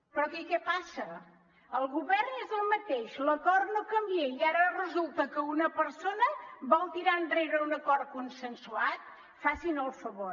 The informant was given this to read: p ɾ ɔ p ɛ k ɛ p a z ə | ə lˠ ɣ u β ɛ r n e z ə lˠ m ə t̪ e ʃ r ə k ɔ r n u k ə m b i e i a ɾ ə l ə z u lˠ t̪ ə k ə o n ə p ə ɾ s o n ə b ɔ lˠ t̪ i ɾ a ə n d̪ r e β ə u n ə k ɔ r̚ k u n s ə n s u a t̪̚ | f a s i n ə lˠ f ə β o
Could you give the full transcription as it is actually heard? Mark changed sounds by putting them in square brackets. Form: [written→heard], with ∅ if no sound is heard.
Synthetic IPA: p ɾ ɔ [p→k] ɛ k ɛ p a [z→s] ə | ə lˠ ɣ u β ɛ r n e z ə lˠ m ə t̪ e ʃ [r→l] ə k ɔ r n [u→o] k ə m b i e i a ɾ ə [l→r] ə z u lˠ t̪ ə k ə [o→u] n ə p ə ɾ s o n ə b ɔ lˠ t̪ i ɾ a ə n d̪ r e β ə u n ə k ɔ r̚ k u n s ə n s u a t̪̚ | f a s i n ə lˠ f ə β o